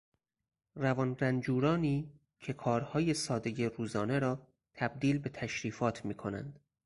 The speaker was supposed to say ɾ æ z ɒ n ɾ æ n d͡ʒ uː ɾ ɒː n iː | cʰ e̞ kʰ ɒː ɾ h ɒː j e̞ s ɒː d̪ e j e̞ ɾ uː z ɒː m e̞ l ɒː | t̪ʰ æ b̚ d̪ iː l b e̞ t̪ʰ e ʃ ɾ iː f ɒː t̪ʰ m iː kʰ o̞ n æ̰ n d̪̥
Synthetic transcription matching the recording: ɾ æ v ɒ n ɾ æ n d͡ʒ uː ɾ ɒː n iː | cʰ e̞ kʰ ɒː ɾ h ɒː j e̞ s ɒː d̪ e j e̞ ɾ uː z ɒː n e̞ ɾ ɒː | t̪ʰ æ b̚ d̪ iː l b e̞ t̪ʰ æ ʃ ɾ iː f ɒː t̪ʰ m iː kʰ o̞ n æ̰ n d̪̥